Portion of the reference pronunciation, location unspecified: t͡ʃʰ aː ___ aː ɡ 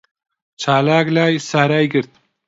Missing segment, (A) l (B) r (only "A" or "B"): A